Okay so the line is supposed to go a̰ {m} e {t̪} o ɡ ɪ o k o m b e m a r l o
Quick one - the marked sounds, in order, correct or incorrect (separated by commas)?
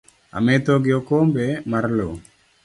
correct, correct